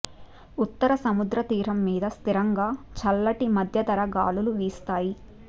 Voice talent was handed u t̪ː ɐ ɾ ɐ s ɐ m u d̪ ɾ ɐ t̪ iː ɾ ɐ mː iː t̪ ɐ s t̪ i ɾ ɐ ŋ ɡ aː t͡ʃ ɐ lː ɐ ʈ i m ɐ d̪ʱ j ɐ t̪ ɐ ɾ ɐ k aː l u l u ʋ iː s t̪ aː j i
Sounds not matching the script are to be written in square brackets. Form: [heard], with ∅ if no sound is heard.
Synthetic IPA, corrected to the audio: u t̪ː ɐ ɾ ɐ s ɐ m u d̪ ɾ ɐ t̪ iː ɾ ɐ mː iː [d̪] ɐ s t̪ i ɾ ɐ ŋ ɡ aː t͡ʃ ɐ lː ɐ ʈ i m ɐ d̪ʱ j ɐ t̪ ɐ ɾ ɐ [ɡ] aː l u l u ʋ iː s t̪ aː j i

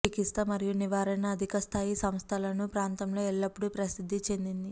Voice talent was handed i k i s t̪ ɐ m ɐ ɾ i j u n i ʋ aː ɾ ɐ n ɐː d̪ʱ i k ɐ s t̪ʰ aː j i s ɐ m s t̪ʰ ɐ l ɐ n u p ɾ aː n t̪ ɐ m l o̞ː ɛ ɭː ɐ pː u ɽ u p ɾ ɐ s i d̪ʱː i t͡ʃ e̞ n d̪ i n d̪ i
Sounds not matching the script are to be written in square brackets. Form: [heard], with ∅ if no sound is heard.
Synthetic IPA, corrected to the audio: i k i s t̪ ɐ m ɐ ɾ i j u n i ʋ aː ɾ ɐ n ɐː d̪ʱ i k ɐ s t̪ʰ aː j i s ɐ m s t̪ʰ ɐ l ɐ n u p ɾ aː n t̪ ɐ m l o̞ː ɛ ɭː ɐ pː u ɽ u p ɾ ɐ s i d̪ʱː i t͡ʃ e̞ n d̪ i n d̪ i

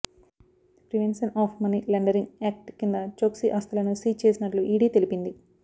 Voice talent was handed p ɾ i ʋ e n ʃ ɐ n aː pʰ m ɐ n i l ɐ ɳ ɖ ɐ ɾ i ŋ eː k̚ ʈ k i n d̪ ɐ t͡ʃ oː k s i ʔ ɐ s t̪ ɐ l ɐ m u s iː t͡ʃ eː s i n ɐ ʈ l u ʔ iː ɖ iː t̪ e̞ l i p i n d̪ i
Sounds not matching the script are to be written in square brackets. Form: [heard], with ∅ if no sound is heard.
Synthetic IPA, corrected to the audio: p ɾ i ʋ e n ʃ ɐ n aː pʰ m ɐ n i l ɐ ɳ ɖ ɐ ɾ i ŋ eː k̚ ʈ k i n d̪ ɐ t͡ʃ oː k s i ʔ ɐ s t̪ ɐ l ɐ [n] u s iː t͡ʃ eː s i n ɐ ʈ l u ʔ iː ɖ iː t̪ e̞ l i p i n d̪ i

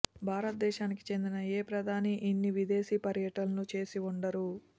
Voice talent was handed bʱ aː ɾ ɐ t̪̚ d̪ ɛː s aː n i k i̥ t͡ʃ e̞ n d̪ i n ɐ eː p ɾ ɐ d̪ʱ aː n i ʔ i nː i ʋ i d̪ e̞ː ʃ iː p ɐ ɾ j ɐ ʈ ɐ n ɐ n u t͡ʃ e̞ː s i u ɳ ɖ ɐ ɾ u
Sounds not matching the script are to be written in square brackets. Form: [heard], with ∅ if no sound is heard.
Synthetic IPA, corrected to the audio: bʱ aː ɾ ɐ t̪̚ d̪ ɛː [ʃ] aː n i k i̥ t͡ʃ e̞ n d̪ i n ɐ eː p ɾ ɐ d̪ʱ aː n i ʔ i nː i ʋ i d̪ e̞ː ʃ iː p ɐ ɾ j ɐ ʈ ɐ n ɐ n u t͡ʃ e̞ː s i u ɳ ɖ ɐ ɾ u

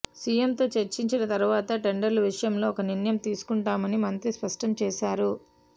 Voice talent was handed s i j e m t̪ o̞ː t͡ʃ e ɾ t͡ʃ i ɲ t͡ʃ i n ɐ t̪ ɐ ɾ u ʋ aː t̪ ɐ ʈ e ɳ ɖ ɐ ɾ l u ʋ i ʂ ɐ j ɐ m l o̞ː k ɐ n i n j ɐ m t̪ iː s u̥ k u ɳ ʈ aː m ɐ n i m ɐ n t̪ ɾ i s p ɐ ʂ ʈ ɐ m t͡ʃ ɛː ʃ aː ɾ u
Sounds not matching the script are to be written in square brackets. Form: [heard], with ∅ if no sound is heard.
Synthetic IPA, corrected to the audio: s i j e m t̪ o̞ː t͡ʃ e ɾ t͡ʃ i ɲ t͡ʃ i n ɐ t̪ ɐ ɾ u ʋ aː t̪ ɐ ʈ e ɳ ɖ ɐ ɾ l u ʋ i ʂ ɐ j ɐ m l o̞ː k ɐ n i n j ɐ m t̪ iː s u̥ k u ɳ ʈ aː m ɐ n i m ɐ n t̪ ɾ i s p ɐ ʂ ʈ ɐ m t͡ʃ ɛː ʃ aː ɾ u

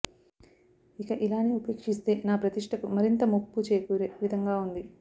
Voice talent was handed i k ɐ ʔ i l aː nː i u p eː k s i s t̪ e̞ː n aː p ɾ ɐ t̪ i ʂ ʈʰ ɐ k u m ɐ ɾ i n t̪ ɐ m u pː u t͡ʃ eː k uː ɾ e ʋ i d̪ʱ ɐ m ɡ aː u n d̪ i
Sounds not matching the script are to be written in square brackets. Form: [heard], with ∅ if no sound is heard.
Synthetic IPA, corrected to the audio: i k ɐ ʔ i l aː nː i u p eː k [ʂ] i s t̪ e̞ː n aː p ɾ ɐ t̪ i ʂ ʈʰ ɐ k u m ɐ ɾ i n t̪ ɐ m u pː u t͡ʃ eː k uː ɾ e ʋ i d̪ʱ ɐ [ŋ] ɡ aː u n d̪ i

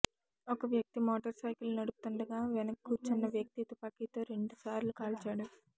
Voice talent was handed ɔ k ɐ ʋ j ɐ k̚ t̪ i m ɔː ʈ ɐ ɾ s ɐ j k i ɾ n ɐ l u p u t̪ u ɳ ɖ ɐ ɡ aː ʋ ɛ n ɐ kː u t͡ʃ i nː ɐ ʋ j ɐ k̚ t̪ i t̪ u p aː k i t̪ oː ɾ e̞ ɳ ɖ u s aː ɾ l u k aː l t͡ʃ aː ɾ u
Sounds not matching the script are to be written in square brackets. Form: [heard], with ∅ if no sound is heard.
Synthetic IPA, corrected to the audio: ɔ k ɐ ʋ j ɐ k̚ t̪ i m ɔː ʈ ɐ ɾ s ɐ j k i [l] n ɐ [ɽ] u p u t̪ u ɳ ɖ ɐ ɡ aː ʋ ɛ n ɐ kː u t͡ʃ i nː ɐ ʋ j ɐ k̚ t̪ i t̪ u p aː k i t̪ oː ɾ e̞ ɳ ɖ u s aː ɾ l u k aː l t͡ʃ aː [ɽ] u

